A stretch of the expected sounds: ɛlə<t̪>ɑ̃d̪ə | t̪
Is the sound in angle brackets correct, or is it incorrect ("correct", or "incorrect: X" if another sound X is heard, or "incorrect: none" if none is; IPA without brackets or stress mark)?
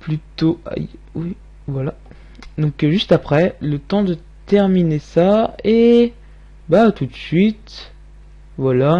correct